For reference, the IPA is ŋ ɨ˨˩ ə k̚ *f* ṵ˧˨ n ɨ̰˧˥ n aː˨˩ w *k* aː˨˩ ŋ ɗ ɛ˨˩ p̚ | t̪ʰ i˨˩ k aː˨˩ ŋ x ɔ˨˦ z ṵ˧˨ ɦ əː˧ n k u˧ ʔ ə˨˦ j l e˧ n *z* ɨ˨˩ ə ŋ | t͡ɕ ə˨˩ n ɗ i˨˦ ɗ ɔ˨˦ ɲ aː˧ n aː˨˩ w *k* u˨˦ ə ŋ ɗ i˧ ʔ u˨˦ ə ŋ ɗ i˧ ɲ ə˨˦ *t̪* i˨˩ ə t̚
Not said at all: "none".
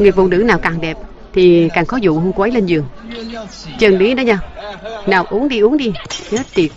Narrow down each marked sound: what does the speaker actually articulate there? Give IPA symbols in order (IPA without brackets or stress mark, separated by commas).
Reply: v, k, z, ʔ, t̪